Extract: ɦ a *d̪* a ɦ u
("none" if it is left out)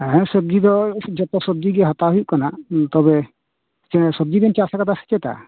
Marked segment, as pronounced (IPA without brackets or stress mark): t̪